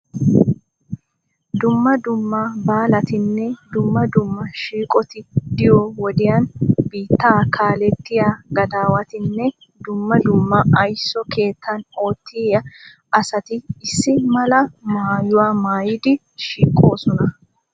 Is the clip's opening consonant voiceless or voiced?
voiced